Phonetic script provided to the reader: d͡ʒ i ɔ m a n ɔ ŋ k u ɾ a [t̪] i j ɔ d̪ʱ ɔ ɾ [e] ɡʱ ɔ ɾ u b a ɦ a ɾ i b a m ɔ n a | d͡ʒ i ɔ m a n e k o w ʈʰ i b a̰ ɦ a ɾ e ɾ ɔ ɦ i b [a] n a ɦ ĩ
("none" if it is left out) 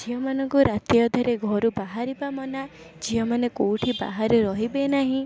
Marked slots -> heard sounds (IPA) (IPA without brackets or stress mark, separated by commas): t̪, e, e